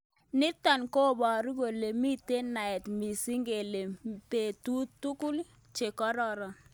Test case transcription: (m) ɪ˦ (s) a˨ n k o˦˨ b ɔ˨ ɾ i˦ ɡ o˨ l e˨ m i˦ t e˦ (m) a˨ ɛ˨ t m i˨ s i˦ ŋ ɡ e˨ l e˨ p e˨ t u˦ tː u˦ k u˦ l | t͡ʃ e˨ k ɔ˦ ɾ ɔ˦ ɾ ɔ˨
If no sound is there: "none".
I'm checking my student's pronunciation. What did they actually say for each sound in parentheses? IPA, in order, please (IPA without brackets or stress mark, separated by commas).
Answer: n, t, n